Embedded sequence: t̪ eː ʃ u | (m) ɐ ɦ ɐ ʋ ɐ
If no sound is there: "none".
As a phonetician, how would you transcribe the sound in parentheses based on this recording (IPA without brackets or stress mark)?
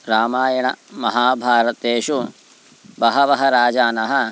b